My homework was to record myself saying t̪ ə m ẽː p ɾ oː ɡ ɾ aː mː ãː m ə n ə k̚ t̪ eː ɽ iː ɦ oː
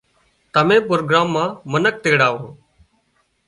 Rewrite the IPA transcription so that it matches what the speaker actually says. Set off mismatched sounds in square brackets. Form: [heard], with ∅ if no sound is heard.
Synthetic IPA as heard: t̪ ə m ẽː p ɾ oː ɡ ɾ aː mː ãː m ə n ə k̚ t̪ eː ɽ [aː] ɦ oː

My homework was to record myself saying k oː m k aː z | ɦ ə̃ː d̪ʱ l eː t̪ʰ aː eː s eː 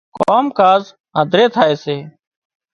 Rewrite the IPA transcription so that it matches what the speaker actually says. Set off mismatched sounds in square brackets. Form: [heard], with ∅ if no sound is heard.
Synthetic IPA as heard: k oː m k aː z | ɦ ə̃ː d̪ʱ [ɾ] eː t̪ʰ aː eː s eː

